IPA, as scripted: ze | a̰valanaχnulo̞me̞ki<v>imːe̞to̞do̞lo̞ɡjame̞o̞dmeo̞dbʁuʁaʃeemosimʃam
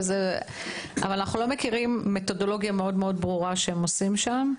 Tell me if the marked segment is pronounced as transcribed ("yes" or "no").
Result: no